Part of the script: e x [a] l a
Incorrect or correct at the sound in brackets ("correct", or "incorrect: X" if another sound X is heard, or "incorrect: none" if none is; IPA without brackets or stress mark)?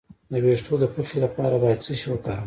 incorrect: e